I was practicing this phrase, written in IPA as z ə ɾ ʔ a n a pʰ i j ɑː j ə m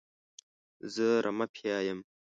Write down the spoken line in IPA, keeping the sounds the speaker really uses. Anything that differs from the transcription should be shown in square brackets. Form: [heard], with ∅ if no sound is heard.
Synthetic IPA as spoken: z ə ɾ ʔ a [m] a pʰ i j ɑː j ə m

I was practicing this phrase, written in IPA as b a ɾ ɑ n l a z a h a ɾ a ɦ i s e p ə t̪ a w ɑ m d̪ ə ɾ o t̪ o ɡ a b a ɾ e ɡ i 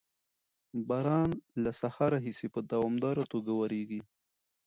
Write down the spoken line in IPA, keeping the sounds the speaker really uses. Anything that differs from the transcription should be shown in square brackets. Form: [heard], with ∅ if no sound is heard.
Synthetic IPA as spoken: b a ɾ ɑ n l a [s] a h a ɾ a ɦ i s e p ə [d̪] a w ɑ m d̪ [ɑ] ɾ o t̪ o ɡ a [w] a ɾ e ɡ i

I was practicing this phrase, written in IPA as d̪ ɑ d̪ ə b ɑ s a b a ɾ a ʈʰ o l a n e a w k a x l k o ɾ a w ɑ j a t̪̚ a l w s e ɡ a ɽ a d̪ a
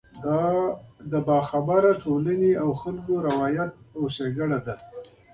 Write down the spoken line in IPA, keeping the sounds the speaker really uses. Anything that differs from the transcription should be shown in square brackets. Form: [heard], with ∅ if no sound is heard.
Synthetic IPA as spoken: d̪ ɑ d̪ ə b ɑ [x] a b a ɾ a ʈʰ o l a n e a w [x] a [∅] l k o ɾ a w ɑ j a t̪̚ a [∅] w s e ɡ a ɽ a d̪ a

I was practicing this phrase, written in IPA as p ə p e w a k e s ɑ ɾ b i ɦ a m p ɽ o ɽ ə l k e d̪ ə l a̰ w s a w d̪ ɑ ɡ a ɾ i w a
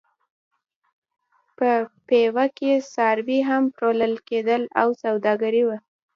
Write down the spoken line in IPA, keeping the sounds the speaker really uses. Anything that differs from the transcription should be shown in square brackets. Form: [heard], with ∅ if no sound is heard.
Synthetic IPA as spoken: p ə p e w a k e s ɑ ɾ b i ɦ a m p [ɾ] o [l] ə l k e d̪ ə l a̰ w s a w d̪ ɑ ɡ a ɾ i w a

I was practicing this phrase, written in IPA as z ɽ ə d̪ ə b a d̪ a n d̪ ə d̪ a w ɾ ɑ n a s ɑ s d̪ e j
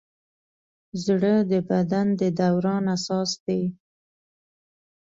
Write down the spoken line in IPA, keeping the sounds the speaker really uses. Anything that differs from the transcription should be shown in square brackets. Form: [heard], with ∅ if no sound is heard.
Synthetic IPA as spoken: z ɽ ə d̪ ə b a d̪ a n d̪ ə d̪ a w ɾ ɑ n a s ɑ s d̪ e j

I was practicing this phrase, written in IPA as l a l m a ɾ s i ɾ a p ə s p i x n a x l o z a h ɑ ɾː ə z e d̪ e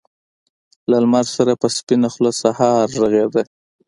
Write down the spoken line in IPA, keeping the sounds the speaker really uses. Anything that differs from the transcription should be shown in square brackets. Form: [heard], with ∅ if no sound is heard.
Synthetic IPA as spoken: l a l m a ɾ s [a] ɾ a p ə s p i [∅] n a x l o [s] a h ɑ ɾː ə [ɣ] e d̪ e

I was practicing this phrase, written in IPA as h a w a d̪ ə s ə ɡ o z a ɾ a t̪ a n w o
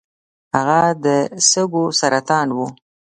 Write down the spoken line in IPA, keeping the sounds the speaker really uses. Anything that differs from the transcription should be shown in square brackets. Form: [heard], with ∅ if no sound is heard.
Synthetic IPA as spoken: h a [ɣ] a d̪ ə s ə ɡ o [s] a ɾ a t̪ [ɑ] n w [u]

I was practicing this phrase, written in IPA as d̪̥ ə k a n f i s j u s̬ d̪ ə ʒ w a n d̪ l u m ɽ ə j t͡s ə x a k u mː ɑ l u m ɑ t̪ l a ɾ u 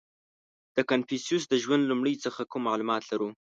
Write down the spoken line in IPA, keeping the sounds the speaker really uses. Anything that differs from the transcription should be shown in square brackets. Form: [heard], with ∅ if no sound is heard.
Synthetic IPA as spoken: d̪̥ ə k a n f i s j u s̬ d̪ ə ʒ w a n d̪ l u m ɽ ə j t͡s ə x a k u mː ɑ l u m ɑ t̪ l a ɾ u

